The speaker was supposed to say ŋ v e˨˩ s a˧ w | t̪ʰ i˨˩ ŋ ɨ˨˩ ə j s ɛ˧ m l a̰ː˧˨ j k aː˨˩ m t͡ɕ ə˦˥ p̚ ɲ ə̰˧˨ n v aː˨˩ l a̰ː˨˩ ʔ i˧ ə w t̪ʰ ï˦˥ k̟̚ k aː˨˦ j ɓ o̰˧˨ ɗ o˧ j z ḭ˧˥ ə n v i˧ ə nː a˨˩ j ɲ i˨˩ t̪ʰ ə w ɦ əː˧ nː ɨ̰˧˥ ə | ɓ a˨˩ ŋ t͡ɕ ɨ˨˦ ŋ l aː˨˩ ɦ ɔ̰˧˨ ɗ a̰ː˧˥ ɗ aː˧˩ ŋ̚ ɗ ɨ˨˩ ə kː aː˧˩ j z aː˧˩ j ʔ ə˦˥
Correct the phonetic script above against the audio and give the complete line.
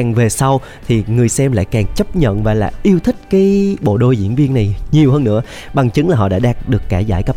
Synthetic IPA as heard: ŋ v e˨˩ s a˧ w | t̪ʰ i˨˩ ŋ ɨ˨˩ ə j s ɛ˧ m l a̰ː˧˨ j k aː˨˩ ŋ t͡ɕ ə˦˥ p̚ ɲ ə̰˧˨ n v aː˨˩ l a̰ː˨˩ ʔ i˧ ə w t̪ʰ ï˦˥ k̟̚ k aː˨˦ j ɓ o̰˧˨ ɗ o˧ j z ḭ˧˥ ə n v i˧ ə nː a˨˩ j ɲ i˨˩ ə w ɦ əː˧ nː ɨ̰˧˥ ə | ɓ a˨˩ ŋ t͡ɕ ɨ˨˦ ŋ l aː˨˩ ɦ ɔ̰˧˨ ɗ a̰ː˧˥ ɗ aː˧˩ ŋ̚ ɗ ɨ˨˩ ə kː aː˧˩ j z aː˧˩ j k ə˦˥